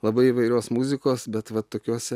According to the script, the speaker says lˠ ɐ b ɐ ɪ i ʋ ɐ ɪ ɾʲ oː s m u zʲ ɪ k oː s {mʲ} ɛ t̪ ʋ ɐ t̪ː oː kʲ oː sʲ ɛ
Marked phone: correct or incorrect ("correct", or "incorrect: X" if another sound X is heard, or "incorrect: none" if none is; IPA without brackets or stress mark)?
incorrect: bʲ